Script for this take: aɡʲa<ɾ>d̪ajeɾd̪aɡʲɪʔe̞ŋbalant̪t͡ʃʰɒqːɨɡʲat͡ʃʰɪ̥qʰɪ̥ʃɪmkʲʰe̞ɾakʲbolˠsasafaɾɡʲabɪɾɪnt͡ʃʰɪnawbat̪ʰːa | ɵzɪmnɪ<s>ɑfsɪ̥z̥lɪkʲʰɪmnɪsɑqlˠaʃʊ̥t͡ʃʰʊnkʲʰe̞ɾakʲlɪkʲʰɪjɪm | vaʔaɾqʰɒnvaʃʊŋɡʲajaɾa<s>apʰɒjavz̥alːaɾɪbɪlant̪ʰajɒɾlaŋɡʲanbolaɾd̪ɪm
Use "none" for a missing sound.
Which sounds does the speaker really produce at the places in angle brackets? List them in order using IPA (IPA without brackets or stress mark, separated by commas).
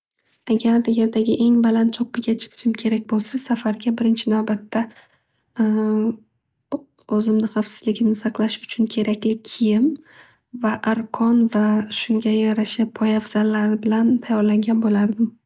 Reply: ɾ, χ, ʃ